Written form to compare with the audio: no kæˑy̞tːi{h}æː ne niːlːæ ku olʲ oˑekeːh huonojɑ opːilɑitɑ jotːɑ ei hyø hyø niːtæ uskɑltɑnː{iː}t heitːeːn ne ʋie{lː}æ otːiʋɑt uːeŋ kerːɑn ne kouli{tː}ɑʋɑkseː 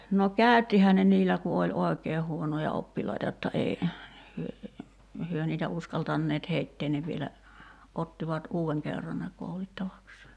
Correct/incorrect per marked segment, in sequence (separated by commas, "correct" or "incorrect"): correct, incorrect, incorrect, correct